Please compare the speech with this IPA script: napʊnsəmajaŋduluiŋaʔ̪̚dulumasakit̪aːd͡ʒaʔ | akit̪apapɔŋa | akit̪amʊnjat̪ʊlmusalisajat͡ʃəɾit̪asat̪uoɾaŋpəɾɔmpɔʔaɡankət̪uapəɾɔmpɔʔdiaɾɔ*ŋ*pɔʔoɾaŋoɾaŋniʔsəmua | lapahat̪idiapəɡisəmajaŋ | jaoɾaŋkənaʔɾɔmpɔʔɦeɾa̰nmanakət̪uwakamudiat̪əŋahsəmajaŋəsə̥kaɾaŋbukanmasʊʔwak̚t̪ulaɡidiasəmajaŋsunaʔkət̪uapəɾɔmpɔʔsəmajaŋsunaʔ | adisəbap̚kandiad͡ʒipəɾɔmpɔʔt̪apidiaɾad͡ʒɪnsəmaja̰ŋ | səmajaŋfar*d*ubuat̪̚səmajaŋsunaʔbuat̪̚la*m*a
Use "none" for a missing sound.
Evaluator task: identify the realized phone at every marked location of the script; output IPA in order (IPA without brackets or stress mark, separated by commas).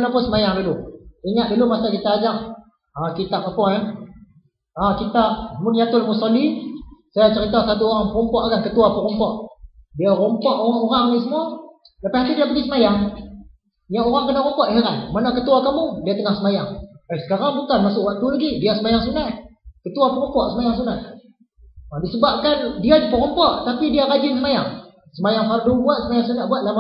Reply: m, d, m